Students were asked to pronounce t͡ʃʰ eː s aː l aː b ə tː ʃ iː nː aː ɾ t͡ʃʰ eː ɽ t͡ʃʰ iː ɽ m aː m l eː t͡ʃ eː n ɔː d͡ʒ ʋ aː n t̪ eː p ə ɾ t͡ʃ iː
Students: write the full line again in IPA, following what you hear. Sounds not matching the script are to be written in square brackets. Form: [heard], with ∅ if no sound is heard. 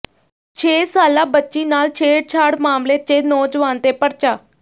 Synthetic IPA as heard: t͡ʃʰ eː s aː l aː b ə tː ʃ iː [n] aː [l] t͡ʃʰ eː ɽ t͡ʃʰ [aː] ɽ m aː m l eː t͡ʃ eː n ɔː d͡ʒ ʋ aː n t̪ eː p ə ɾ t͡ʃ [aː]